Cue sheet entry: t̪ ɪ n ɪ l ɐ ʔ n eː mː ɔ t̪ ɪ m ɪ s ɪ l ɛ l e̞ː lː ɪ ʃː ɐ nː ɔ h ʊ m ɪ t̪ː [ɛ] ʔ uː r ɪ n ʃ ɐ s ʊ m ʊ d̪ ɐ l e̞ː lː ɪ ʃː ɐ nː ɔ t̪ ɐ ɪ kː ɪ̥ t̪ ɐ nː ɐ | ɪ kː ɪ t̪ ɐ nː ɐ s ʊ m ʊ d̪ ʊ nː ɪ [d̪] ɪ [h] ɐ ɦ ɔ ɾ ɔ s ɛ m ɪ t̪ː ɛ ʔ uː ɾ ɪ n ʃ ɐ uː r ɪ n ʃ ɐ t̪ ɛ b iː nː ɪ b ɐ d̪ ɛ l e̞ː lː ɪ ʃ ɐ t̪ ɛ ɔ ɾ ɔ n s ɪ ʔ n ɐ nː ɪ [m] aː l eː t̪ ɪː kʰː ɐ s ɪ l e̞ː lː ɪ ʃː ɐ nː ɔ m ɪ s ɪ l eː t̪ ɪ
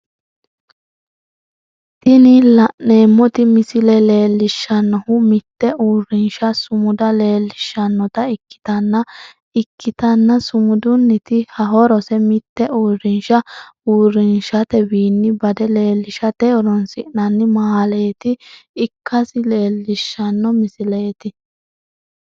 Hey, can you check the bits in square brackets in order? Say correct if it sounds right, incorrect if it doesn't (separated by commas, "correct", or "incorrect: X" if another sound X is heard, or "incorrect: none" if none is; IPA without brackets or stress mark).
correct, incorrect: t̪, correct, correct